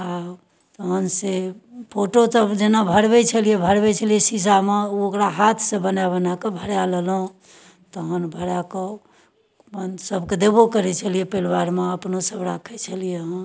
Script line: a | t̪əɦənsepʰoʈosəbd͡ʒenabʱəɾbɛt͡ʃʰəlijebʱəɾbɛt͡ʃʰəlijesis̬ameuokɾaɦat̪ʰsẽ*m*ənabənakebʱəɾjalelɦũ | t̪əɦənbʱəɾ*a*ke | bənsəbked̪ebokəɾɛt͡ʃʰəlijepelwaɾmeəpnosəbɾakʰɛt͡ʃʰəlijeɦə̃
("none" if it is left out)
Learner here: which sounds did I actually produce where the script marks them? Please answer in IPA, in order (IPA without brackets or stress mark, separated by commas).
b, a